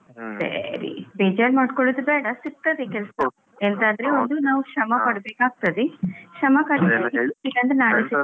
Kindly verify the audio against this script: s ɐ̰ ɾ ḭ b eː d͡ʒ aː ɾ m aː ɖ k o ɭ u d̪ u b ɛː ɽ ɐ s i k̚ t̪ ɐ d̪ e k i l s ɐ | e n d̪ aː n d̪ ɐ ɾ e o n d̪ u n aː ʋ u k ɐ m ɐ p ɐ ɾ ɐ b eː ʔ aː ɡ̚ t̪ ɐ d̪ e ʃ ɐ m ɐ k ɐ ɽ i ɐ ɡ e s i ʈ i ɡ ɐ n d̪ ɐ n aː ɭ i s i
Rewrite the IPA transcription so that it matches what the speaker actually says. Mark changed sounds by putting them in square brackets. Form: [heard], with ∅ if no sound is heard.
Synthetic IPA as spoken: s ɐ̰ ɾ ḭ b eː d͡ʒ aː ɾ m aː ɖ k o ɭ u d̪ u b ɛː ɽ ɐ s i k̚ t̪ ɐ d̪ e k [ɛ] l s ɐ | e n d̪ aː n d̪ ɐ ɾ e o n d̪ u n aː ʋ u k ɐ m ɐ p ɐ [ɽ] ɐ b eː [k] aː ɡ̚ t̪ ɐ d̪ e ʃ ɐ m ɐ k ɐ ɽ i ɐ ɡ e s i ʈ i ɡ ɐ n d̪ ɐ n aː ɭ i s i